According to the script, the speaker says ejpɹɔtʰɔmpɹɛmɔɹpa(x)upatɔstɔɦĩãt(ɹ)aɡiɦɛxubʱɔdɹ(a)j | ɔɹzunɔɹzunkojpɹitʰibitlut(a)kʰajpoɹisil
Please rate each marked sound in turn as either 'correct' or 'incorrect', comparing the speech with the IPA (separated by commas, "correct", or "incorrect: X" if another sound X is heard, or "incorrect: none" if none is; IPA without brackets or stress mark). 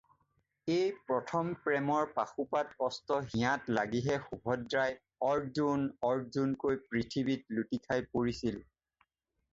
correct, incorrect: l, correct, incorrect: i